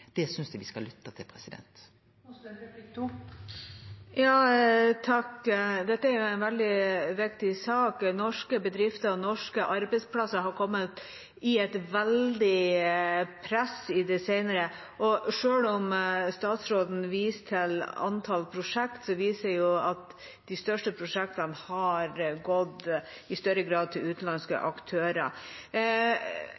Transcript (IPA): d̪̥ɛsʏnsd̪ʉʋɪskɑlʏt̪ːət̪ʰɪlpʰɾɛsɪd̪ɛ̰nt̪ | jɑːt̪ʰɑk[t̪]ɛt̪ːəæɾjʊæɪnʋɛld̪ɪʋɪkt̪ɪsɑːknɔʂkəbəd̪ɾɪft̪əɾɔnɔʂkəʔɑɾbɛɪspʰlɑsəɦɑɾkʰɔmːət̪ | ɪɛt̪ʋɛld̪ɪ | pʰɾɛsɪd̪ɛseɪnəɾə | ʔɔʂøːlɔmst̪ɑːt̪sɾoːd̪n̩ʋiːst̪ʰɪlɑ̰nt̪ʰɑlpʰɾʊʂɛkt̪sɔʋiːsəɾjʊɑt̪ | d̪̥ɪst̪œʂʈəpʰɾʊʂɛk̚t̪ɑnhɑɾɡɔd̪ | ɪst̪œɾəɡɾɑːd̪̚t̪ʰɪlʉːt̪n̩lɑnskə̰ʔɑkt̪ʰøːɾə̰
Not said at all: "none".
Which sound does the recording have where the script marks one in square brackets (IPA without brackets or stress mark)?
d̪